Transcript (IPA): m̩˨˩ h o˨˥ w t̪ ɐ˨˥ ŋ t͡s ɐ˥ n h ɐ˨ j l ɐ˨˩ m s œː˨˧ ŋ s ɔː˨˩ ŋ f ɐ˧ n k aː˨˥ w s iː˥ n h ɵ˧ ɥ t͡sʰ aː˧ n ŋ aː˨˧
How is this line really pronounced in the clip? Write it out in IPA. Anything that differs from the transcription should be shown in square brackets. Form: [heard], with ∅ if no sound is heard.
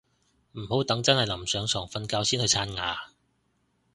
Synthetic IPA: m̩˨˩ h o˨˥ w t̪ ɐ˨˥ ŋ t͡s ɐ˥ n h ɐ˨ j l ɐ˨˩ m s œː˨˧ ŋ s ɔː˨˩ ŋ f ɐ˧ n k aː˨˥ w s iː˥ n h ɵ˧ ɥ t͡sʰ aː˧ n ŋ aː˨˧